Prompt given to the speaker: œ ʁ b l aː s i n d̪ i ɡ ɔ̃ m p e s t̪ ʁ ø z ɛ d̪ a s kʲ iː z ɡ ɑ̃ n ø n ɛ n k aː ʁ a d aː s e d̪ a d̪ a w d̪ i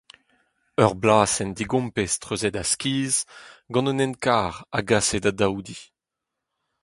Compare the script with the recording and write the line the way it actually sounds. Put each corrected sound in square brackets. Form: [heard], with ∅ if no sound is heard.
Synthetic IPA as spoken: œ ʁ b l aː s [ɛ] n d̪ i ɡ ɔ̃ m p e s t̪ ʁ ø z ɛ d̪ a s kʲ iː z ɡ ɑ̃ n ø n ɛ n k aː ʁ a [ɡ] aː s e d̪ a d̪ a w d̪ i